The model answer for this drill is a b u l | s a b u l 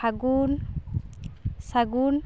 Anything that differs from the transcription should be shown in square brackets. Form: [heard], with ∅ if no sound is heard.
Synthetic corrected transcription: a [ɡ] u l | s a [ɡ] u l

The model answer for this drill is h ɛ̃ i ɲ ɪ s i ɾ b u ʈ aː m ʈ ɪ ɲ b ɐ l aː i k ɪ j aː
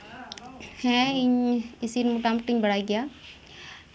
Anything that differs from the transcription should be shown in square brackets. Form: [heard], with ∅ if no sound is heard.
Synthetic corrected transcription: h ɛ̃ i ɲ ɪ s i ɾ [m] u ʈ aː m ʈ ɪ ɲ b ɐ [ɽ] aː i [ɡ] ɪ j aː

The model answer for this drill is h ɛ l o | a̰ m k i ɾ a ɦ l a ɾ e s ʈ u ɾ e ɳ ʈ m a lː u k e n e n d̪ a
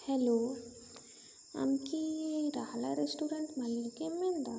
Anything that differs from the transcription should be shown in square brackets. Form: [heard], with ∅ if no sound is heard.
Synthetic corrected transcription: h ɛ l o | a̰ m k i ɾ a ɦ l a ɾ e s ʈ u ɾ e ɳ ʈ m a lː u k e [m] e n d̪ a

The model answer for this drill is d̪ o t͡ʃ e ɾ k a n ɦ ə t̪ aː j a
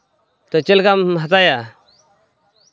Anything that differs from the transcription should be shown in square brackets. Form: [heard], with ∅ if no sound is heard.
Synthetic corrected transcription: [t̪] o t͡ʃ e [l] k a [m] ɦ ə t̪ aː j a

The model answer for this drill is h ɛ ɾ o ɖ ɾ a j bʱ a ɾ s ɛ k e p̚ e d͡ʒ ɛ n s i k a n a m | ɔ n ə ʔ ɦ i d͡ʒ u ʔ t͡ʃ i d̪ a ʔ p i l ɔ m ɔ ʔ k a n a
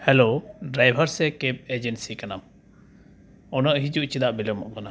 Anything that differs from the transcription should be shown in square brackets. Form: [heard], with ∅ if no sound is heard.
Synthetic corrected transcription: h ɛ [l] o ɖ ɾ a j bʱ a ɾ s ɛ k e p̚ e d͡ʒ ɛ n s i k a n a m | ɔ n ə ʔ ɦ i d͡ʒ u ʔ t͡ʃ i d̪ a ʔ [b] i l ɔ m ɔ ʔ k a n a

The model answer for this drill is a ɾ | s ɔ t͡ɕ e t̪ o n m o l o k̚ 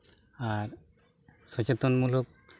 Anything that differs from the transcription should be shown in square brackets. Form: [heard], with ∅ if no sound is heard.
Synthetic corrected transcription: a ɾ | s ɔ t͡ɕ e t̪ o n m [u] l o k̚

